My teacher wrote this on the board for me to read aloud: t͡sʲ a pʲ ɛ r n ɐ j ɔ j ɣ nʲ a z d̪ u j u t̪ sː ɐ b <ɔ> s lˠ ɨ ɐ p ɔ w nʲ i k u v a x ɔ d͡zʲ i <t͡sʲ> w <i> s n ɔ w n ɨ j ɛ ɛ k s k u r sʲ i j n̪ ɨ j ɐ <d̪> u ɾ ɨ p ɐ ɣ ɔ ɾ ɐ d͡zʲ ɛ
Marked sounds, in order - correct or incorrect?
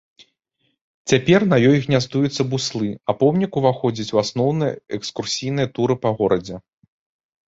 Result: incorrect: u, correct, incorrect: a, incorrect: t̪

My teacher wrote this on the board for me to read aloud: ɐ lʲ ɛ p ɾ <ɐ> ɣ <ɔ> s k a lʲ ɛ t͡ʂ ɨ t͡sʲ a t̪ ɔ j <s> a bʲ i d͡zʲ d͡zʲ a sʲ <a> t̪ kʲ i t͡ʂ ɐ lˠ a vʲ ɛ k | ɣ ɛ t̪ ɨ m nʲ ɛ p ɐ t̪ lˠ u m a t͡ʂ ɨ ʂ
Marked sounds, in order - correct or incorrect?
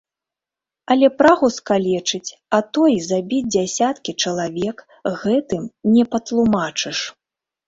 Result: incorrect: a, incorrect: u, incorrect: z, correct

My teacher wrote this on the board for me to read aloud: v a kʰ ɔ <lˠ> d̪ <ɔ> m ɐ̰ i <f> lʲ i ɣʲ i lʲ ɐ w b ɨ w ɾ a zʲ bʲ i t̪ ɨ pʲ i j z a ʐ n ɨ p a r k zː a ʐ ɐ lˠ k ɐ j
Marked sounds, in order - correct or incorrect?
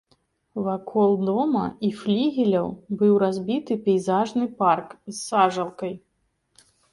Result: correct, correct, correct

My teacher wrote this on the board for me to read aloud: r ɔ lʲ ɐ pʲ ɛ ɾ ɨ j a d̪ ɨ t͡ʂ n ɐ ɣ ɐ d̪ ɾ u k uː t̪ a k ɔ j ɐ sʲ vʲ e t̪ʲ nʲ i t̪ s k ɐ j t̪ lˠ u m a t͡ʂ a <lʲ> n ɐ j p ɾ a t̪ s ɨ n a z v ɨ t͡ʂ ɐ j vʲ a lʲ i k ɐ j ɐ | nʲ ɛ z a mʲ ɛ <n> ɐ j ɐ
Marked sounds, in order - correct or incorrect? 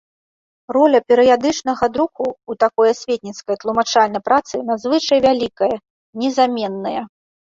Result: correct, incorrect: nː

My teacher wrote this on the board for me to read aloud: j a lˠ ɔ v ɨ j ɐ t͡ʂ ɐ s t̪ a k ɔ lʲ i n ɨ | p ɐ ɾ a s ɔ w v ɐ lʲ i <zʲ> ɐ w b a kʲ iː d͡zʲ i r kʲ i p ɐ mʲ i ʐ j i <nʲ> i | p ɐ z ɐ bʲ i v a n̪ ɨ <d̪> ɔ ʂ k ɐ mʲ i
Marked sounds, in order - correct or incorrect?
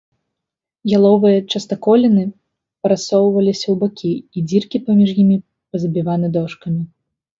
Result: incorrect: sʲ, incorrect: mʲ, correct

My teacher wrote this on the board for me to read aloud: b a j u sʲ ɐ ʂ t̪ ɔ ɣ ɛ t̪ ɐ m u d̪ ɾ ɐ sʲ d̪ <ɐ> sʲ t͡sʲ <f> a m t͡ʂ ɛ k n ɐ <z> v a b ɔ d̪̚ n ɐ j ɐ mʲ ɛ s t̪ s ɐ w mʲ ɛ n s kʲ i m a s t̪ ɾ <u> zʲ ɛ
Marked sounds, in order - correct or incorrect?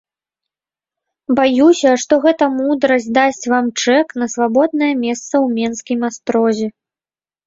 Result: incorrect: a, incorrect: v, incorrect: s, incorrect: ɔ

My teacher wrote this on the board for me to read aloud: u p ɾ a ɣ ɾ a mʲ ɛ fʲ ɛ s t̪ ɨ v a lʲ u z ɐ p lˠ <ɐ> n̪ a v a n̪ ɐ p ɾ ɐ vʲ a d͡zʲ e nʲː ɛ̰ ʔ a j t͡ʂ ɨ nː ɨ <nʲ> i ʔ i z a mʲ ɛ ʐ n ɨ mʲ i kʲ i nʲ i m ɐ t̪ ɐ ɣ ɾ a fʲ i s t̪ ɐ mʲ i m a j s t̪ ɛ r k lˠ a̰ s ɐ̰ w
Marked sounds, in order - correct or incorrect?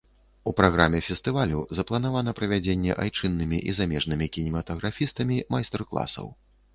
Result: correct, incorrect: mʲ

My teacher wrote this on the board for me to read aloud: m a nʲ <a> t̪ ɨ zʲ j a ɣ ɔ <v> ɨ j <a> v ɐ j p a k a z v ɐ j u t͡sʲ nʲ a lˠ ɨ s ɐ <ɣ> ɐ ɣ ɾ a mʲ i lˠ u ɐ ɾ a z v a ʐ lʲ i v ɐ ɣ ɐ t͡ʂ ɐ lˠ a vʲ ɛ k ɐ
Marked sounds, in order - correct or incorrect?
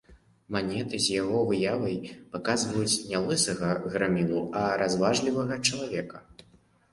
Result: incorrect: ɛ, correct, correct, correct

